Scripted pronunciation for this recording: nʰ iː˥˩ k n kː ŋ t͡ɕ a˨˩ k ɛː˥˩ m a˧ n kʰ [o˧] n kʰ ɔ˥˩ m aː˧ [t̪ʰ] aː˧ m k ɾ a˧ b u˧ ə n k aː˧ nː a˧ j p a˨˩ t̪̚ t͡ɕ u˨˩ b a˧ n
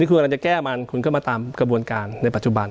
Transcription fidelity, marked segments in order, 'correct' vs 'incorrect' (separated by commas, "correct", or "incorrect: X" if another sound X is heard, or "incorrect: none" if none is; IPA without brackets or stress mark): incorrect: u˧, incorrect: t̪